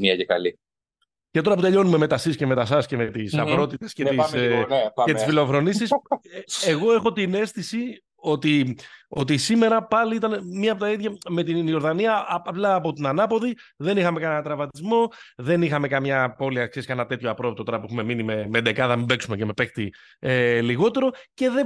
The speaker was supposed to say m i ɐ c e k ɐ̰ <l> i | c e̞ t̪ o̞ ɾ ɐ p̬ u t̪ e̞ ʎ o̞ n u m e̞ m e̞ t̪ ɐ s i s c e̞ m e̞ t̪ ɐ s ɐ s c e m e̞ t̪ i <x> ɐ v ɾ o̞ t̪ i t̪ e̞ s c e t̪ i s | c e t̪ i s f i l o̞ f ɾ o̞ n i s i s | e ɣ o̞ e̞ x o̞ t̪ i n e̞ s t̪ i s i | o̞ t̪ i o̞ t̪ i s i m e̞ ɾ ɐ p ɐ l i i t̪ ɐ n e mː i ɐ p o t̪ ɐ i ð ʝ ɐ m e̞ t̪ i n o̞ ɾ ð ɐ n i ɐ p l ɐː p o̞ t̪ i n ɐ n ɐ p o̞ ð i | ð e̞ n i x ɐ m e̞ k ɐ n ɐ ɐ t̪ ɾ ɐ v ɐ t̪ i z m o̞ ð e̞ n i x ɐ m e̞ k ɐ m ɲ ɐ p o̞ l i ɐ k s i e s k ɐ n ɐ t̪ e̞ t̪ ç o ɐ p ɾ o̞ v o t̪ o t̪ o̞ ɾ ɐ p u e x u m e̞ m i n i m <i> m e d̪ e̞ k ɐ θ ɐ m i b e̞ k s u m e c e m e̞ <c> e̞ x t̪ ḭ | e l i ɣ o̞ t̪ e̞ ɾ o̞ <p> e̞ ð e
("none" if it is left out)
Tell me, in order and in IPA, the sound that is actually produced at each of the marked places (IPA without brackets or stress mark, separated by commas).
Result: l, s, e, p, c